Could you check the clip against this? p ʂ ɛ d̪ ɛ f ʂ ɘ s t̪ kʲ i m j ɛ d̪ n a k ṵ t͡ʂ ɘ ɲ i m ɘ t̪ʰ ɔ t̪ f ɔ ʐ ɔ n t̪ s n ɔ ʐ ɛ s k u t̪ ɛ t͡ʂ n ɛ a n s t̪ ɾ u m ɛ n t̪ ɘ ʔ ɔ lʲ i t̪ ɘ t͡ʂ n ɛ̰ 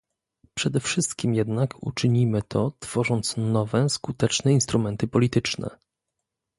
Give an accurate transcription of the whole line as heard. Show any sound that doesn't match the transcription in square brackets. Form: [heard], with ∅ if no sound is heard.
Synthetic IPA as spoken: p ʂ ɛ d̪ ɛ f ʂ ɘ s t̪ kʲ i m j ɛ d̪ n a k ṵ t͡ʂ ɘ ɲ i m ɘ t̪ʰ ɔ t̪ f ɔ ʐ ɔ n t̪ s n ɔ [v] ɛ s k u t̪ ɛ t͡ʂ n ɛ [i] n s t̪ ɾ u m ɛ n t̪ ɘ [p] ɔ lʲ i t̪ ɘ t͡ʂ n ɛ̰

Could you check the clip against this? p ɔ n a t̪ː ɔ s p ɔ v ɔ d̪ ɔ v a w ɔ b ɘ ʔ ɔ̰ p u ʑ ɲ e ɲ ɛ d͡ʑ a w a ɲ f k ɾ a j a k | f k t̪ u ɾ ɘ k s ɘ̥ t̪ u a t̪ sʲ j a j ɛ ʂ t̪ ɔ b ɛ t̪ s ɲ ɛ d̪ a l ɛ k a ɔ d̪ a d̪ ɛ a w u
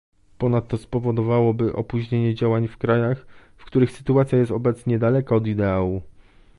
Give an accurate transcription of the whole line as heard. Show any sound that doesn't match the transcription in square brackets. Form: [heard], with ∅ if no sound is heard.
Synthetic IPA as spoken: p ɔ n a t̪ː ɔ s p ɔ v ɔ d̪ ɔ v a w ɔ b ɘ ʔ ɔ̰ p u ʑ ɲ e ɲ ɛ d͡ʑ a w a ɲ f k ɾ a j a [x] | f k t̪ u ɾ ɘ [x] s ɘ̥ t̪ u a t̪ sʲ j a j ɛ [s] t̪ ɔ b ɛ t̪ s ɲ ɛ d̪ a l ɛ k a ɔ d̪ [i] d̪ ɛ a w u

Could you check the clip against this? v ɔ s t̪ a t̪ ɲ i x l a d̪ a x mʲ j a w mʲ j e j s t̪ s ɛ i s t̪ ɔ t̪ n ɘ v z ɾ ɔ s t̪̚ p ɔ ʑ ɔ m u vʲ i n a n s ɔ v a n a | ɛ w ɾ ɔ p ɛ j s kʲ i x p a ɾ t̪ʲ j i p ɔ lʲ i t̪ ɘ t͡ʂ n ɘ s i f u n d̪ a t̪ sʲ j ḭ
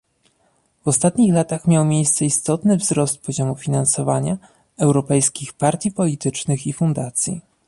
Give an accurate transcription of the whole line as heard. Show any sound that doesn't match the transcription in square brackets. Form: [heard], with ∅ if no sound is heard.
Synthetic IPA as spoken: v ɔ s t̪ a t̪ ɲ i x l a [t̪] a x mʲ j a w mʲ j e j s t̪ s ɛ i s t̪ ɔ t̪ n ɘ v z ɾ ɔ s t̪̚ p ɔ ʑ ɔ m u [fʲ] i n a n s ɔ v a [ɲ] a | ɛ w ɾ ɔ p ɛ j s kʲ i x p a ɾ t̪ʲ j i p ɔ lʲ i t̪ ɘ t͡ʂ n ɘ [x] i f u n d̪ a t̪ sʲ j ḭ

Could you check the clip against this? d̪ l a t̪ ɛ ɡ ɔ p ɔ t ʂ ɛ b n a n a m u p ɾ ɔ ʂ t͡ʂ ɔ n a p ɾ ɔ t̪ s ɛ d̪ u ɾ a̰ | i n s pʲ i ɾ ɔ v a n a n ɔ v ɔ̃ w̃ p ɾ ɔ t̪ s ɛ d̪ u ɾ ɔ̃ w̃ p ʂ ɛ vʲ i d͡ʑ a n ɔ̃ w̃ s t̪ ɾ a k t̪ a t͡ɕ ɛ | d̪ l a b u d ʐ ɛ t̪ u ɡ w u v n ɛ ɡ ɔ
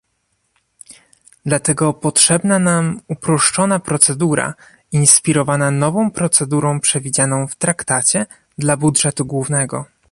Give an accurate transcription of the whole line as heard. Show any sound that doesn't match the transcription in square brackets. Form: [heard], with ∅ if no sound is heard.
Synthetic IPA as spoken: d̪ l a t̪ ɛ ɡ ɔ p ɔ t ʂ ɛ b n a n a m u p ɾ ɔ ʂ t͡ʂ ɔ n a p ɾ ɔ t̪ s ɛ d̪ u ɾ a̰ | i n s pʲ i ɾ ɔ v a n a n ɔ v ɔ̃ w̃ p ɾ ɔ t̪ s ɛ d̪ u ɾ ɔ̃ w̃ p ʂ ɛ vʲ i d͡ʑ a n ɔ̃ w̃ [f] t̪ ɾ a k t̪ a t͡ɕ ɛ | d̪ l a b u d ʐ ɛ t̪ u ɡ w u v n ɛ ɡ ɔ

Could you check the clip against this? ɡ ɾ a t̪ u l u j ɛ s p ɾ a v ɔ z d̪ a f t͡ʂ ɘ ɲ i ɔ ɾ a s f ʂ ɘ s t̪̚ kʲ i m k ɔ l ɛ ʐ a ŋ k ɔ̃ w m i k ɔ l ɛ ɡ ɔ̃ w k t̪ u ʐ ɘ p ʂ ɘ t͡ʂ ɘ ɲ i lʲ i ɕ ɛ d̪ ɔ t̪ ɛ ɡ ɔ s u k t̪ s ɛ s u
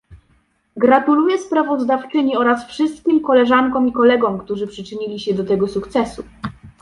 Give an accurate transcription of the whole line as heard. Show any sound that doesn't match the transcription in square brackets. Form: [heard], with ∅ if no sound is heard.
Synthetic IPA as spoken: ɡ ɾ a t̪ u l u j ɛ s p ɾ a v ɔ z d̪ a f t͡ʂ ɘ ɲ i ɔ ɾ a s f ʂ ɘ s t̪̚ kʲ i m k ɔ l ɛ ʐ a ŋ k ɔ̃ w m i k ɔ l ɛ ɡ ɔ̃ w k t̪ u ʐ ɘ p ʂ ɘ t͡ʂ ɘ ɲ i lʲ i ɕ ɛ d̪ ɔ t̪ ɛ ɡ ɔ s u k t̪ s ɛ s u

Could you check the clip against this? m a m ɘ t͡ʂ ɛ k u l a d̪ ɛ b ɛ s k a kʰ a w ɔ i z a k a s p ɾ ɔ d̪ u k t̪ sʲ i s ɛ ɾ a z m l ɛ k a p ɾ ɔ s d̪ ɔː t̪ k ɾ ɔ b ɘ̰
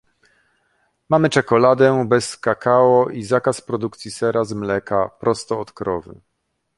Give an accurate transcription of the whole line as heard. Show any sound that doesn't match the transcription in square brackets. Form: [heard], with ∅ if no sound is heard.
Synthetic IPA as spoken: m a m ɘ t͡ʂ ɛ k [ɔ] l a d̪ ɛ b ɛ s k a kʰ a w ɔ i z a k a s p ɾ ɔ d̪ u k t̪ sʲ i s ɛ ɾ a z m l ɛ k a p ɾ ɔ s [t̪] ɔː t̪ k ɾ ɔ [v] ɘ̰

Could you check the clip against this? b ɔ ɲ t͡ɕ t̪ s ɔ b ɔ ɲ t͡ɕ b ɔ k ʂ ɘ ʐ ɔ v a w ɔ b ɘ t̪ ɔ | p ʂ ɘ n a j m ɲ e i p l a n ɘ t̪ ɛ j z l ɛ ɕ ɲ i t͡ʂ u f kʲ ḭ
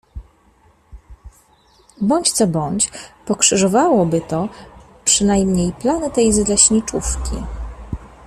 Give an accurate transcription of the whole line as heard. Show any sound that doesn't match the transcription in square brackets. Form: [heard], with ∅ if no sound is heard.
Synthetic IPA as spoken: b ɔ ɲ t͡ɕ t̪ s ɔ b ɔ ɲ t͡ɕ [p] ɔ k ʂ ɘ ʐ ɔ v a w ɔ b ɘ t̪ ɔ | p ʂ ɘ n a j m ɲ e [j] p l a n ɘ t̪ ɛ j z l ɛ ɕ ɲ i t͡ʂ u f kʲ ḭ

